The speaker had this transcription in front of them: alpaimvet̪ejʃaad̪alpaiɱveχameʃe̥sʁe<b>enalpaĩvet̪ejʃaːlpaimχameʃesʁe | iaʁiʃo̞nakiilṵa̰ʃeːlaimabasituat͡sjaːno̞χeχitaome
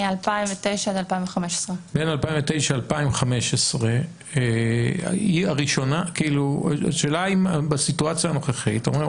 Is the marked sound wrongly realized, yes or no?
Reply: no